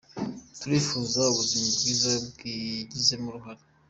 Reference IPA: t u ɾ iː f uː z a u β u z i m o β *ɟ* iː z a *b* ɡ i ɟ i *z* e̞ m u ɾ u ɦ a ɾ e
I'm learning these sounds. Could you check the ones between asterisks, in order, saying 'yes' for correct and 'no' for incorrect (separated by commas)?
no, yes, yes